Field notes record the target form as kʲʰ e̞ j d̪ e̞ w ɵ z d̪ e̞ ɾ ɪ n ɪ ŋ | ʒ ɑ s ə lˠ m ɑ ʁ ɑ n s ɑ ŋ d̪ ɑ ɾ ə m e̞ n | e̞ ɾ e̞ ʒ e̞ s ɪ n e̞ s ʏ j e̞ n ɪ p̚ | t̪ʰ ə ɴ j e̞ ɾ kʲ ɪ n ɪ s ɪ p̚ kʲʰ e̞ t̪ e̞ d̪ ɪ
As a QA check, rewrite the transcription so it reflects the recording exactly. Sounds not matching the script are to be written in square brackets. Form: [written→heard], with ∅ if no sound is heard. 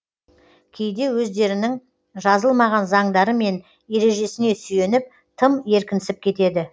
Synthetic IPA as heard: kʲʰ e̞ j d̪ e̞ w ɵ z d̪ e̞ ɾ ɪ n ɪ ŋ | ʒ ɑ [s→z] ə lˠ m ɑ ʁ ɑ n [s→z] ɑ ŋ d̪ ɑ ɾ ə m e̞ n | e̞ ɾ e̞ ʒ e̞ s ɪ n e̞ s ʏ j e̞ n ɪ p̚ | t̪ʰ ə [ɴ→m] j e̞ ɾ kʲ ɪ n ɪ s ɪ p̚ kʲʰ e̞ t̪ e̞ d̪ ɪ